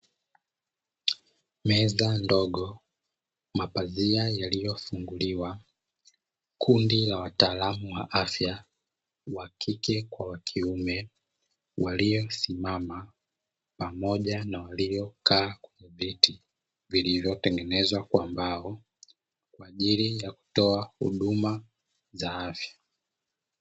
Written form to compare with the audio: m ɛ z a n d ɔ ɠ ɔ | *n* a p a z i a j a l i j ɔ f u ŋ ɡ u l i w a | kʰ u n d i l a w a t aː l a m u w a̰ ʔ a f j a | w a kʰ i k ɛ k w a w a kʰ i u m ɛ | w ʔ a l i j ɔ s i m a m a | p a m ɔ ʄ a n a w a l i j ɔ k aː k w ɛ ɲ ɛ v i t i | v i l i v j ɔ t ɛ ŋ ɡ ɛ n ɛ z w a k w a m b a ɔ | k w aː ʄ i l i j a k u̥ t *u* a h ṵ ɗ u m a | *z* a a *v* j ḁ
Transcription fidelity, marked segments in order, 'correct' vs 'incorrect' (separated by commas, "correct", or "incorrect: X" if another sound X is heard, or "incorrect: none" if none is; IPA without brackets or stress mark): incorrect: m, incorrect: ɔ, correct, incorrect: f